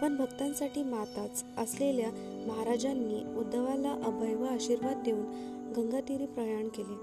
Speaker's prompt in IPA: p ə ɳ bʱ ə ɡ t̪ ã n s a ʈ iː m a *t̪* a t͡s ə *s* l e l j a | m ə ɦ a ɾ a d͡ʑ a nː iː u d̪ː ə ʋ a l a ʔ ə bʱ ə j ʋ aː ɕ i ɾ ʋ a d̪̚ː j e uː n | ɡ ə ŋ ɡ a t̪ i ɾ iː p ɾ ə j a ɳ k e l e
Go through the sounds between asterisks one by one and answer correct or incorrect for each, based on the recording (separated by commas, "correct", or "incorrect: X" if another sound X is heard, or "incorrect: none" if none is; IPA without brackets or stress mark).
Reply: correct, correct